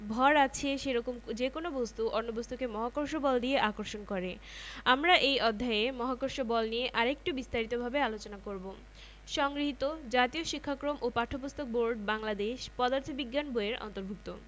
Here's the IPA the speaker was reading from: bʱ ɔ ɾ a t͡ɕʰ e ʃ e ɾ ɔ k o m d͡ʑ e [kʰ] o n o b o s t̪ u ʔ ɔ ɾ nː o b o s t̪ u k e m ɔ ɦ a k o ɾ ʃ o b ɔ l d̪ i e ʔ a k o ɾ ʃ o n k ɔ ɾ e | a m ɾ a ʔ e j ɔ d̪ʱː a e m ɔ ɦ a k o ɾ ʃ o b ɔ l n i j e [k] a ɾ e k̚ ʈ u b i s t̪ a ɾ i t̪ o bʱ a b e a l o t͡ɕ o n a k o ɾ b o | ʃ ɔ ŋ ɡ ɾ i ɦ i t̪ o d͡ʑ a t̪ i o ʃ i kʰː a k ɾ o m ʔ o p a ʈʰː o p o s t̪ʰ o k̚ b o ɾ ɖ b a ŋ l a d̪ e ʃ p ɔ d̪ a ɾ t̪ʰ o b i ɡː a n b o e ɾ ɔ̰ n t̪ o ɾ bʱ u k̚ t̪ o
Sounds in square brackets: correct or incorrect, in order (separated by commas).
incorrect, incorrect